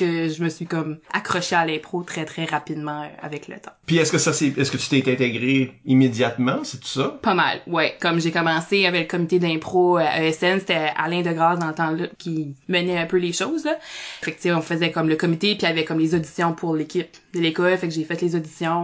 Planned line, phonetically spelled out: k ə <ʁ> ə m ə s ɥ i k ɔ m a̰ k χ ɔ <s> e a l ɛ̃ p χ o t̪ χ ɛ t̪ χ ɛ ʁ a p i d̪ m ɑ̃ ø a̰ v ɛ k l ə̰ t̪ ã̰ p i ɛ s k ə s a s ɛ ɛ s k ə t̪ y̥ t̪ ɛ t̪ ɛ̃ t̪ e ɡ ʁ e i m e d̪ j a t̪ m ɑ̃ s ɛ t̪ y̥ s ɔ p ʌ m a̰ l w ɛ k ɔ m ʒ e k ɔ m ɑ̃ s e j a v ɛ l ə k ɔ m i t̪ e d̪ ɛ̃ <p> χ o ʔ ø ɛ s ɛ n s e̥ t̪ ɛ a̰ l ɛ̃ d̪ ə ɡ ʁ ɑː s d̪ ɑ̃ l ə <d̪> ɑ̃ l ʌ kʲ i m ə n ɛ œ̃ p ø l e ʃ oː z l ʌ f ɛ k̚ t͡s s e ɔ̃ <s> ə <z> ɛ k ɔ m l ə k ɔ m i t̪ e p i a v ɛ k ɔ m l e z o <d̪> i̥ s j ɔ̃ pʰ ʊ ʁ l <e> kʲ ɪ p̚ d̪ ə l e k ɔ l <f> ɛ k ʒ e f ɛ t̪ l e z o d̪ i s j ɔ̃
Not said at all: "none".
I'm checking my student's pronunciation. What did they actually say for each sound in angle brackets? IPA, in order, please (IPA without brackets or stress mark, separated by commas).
ʒ, ʃ, p, t̪, f, z, d̪, e, f